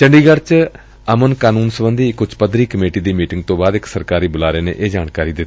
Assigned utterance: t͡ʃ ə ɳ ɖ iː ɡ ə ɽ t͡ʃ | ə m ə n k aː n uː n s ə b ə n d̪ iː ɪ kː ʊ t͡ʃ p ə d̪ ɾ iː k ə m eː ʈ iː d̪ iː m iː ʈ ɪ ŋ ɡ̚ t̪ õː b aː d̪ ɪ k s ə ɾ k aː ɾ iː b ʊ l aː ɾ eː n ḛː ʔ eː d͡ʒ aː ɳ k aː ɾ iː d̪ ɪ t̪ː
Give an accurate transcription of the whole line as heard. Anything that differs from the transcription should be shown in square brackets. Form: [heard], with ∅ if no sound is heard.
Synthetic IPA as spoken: t͡ʃ ə ɳ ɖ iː ɡ ə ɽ t͡ʃ | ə m ə n k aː n uː n s ə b ə n d̪ iː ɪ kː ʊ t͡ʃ p ə d̪ ɾ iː k ə m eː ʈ iː d̪ iː m iː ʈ ɪ ŋ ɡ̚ t̪ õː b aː d̪ ɪ k s ə ɾ k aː ɾ iː b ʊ l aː ɾ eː n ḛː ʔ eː d͡ʒ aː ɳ k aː ɾ iː d̪ ɪ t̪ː